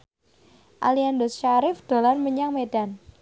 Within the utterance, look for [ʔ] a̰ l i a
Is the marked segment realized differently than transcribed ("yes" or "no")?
no